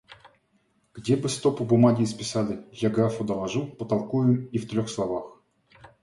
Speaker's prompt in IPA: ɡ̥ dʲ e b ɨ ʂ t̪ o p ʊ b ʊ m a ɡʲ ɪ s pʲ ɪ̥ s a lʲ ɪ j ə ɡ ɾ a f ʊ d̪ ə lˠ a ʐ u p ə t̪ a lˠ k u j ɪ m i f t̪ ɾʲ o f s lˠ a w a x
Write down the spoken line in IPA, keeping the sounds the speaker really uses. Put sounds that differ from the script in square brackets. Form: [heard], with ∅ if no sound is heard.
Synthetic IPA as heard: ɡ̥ dʲ e b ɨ [s] t̪ o p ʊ b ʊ m a ɡʲ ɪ s pʲ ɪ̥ s a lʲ ɪ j [a] ɡ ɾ a f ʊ d̪ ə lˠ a ʐ u p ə t̪ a lˠ k u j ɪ m i f t̪ ɾʲ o [x] s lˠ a [v] a x